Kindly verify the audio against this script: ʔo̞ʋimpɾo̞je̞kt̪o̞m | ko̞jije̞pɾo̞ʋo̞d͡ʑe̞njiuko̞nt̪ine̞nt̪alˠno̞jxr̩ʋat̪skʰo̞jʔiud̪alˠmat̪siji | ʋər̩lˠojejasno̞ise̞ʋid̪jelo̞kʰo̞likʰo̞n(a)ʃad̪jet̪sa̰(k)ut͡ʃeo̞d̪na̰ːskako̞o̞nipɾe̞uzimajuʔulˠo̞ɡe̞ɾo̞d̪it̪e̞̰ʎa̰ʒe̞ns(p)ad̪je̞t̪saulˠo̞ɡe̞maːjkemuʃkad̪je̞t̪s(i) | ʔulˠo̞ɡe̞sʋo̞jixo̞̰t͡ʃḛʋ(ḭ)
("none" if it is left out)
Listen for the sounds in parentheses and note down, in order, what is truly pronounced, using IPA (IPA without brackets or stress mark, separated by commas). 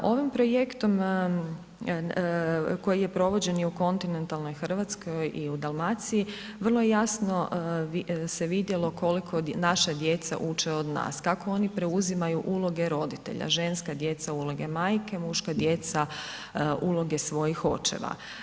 a, ʔ, k, a, a̰